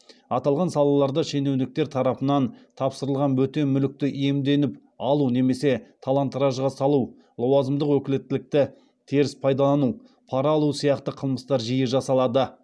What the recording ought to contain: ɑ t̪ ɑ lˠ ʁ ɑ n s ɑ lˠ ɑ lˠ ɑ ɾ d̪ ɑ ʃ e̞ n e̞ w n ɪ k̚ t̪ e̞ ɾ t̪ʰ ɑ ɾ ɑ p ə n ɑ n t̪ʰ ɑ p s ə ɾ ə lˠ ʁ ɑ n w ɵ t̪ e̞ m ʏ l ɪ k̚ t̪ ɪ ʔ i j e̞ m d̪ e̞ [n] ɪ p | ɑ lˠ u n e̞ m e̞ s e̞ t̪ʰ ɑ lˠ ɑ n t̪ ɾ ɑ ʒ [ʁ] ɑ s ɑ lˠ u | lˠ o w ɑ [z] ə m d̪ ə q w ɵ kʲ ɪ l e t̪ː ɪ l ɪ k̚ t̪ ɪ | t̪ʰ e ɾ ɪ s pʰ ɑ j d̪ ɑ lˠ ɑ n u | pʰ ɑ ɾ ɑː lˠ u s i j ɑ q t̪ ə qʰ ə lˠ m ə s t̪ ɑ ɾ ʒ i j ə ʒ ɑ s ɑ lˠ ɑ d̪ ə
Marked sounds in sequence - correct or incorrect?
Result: correct, correct, correct

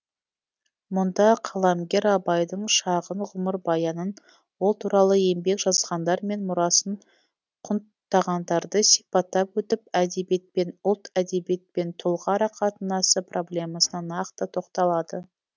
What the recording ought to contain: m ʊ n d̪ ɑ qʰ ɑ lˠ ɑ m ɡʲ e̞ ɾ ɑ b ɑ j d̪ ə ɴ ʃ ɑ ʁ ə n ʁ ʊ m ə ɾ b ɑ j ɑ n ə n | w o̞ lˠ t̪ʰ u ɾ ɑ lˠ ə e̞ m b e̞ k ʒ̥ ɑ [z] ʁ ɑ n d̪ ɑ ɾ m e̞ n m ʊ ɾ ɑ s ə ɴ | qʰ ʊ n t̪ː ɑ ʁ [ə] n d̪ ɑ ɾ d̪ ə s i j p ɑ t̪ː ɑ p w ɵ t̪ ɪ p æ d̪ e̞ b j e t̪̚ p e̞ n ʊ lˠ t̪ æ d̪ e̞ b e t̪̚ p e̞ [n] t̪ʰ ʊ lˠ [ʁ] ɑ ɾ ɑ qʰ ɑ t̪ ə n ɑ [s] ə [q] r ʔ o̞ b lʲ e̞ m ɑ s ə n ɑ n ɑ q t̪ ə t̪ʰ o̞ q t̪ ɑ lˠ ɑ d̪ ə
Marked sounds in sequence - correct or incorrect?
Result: correct, incorrect: ɑ, correct, correct, correct, incorrect: p

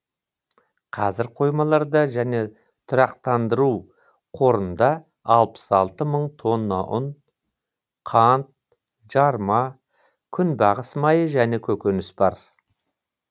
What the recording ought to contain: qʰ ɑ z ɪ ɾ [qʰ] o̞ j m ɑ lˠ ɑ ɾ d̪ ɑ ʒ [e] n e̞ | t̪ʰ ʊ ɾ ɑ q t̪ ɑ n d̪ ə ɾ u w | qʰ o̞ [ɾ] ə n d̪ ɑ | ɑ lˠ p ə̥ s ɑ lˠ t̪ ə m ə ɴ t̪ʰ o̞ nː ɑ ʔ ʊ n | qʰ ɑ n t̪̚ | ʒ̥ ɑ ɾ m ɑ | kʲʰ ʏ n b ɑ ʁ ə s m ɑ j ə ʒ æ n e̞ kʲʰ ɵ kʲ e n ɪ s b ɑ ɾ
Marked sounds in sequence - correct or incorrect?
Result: correct, incorrect: æ, correct

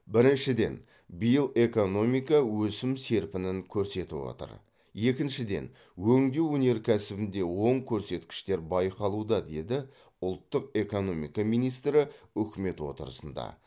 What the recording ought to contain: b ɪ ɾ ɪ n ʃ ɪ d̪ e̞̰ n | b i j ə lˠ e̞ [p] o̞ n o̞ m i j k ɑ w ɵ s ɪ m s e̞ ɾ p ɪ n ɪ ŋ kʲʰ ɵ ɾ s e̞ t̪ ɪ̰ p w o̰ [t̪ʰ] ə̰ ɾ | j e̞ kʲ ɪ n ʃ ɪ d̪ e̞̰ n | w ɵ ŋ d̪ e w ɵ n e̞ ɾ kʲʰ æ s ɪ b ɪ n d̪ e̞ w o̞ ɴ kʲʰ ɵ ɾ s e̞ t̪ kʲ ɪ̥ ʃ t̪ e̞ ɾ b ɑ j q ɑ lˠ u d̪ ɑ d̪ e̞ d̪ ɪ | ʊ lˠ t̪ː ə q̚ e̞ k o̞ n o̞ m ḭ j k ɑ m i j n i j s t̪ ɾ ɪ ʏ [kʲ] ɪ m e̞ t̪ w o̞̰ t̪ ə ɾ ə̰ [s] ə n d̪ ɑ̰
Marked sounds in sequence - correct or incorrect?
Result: incorrect: k, incorrect: t̪, correct, correct

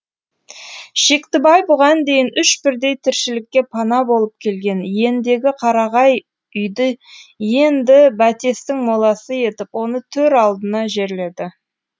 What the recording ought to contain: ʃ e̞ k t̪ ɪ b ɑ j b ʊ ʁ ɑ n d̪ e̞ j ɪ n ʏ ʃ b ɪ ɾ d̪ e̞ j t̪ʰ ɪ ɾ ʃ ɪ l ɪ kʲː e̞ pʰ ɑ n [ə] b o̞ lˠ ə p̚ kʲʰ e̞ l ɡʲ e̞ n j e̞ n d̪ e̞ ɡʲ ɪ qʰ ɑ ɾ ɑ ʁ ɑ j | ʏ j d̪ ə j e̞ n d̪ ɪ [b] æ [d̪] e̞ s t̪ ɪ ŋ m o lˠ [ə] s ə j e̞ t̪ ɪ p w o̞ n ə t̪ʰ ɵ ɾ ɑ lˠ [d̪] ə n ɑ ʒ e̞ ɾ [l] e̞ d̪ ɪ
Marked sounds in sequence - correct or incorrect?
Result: incorrect: ɑ, correct, incorrect: t̪, incorrect: ɑ, correct, correct

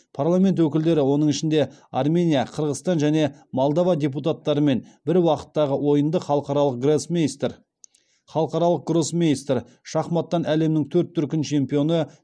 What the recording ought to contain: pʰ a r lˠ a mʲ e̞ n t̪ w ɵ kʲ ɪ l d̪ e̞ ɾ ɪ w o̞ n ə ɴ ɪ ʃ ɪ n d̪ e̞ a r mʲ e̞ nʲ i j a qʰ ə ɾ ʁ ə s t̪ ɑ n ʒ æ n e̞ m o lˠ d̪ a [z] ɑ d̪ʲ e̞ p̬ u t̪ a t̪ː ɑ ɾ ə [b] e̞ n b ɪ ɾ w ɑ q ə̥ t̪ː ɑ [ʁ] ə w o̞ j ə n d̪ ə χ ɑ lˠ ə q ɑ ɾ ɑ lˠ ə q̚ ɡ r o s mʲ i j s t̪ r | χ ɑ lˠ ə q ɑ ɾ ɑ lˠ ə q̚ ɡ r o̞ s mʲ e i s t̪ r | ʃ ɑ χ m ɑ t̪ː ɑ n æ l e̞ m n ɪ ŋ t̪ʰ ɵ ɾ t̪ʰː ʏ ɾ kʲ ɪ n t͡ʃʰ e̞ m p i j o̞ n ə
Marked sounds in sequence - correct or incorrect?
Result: incorrect: v, incorrect: m, correct

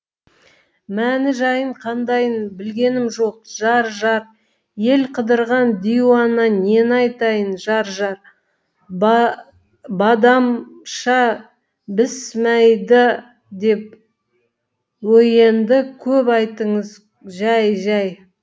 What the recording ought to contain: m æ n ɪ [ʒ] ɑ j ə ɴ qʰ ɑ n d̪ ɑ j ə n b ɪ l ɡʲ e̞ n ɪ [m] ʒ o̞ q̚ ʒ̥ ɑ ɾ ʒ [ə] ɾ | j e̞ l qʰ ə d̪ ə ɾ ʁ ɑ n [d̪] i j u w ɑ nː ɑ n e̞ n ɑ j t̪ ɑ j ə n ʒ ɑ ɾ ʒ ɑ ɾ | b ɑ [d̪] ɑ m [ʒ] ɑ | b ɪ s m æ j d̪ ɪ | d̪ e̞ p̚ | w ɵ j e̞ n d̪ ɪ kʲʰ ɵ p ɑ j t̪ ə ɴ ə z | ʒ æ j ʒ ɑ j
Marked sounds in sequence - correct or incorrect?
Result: correct, correct, incorrect: ɑ, correct, correct, incorrect: ʃ

